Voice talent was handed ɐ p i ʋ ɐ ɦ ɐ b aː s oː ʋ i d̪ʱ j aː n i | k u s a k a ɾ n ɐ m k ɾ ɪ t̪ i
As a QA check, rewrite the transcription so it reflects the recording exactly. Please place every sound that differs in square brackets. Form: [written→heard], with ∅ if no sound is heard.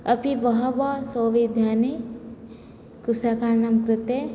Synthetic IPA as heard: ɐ p i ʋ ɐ ɦ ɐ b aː s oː ʋ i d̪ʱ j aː n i | k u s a k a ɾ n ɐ m k ɾ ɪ t̪ [i→e]